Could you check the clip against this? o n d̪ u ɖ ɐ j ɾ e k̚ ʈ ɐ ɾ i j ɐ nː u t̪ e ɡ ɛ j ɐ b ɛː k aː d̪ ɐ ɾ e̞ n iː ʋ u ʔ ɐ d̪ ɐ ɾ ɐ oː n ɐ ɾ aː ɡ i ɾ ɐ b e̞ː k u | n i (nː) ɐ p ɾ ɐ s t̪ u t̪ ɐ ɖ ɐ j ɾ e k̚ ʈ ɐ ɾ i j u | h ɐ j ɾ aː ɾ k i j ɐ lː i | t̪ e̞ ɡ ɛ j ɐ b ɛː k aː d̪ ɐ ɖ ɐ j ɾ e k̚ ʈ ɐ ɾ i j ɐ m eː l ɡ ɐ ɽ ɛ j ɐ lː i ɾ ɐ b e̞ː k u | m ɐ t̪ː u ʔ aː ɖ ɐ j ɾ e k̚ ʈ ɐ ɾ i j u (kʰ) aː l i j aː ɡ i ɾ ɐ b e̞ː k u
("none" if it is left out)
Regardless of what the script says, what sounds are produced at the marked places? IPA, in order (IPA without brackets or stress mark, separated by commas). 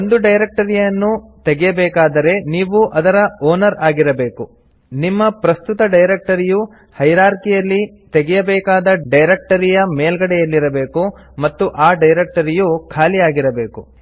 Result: mː, kʰ